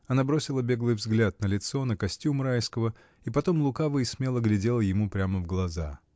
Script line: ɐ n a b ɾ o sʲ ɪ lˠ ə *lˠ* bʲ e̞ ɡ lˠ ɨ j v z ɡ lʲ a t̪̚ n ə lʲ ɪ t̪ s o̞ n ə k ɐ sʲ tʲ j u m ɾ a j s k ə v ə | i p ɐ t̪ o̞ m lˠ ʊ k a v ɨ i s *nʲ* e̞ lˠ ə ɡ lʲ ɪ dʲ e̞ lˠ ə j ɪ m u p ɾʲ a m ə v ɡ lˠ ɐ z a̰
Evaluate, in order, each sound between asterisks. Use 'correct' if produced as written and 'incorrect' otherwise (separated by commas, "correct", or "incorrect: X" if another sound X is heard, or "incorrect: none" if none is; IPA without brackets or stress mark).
incorrect: none, incorrect: mʲ